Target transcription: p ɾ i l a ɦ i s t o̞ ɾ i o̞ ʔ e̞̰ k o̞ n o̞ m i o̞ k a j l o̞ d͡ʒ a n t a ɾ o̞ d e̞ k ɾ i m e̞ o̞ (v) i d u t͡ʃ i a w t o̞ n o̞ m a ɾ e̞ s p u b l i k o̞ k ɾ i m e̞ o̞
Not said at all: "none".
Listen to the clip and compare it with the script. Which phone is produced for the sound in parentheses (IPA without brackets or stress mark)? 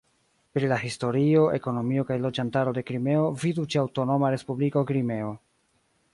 v